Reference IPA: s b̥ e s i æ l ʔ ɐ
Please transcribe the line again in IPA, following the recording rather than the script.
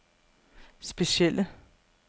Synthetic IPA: s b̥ e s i e l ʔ ə